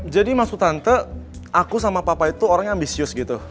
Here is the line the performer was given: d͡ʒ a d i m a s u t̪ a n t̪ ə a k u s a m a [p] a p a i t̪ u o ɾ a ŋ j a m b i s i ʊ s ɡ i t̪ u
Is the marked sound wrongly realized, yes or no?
no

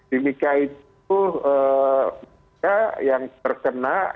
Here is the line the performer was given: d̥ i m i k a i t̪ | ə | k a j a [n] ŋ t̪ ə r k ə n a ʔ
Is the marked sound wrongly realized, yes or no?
yes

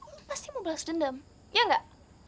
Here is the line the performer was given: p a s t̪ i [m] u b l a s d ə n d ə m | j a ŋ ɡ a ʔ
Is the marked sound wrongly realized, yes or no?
no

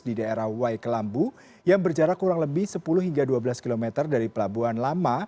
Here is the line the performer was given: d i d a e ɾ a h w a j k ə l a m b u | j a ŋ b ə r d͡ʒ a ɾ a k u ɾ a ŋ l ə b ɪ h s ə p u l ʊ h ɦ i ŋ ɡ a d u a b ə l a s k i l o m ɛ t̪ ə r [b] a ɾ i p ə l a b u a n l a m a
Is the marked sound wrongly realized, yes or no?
yes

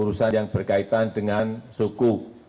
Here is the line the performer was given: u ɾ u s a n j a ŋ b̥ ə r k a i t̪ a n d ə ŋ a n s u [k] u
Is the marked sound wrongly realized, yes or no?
no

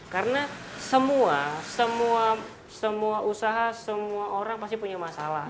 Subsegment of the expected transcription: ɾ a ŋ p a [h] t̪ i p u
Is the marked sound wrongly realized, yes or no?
yes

